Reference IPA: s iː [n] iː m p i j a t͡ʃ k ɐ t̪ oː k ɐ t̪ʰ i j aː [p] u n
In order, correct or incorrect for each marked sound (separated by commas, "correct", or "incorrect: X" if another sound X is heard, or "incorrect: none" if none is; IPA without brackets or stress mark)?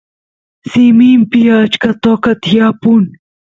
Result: incorrect: m, correct